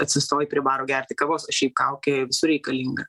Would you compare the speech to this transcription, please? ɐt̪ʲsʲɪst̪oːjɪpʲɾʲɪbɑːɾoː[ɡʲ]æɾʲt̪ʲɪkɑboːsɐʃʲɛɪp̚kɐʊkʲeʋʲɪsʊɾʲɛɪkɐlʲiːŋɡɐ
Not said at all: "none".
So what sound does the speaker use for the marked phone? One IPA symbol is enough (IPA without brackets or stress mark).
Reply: ɡʲ